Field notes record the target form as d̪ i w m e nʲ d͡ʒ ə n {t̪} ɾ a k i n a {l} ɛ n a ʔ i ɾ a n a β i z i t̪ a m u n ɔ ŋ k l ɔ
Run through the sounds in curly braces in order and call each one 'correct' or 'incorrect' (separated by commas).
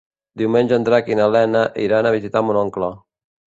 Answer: incorrect, correct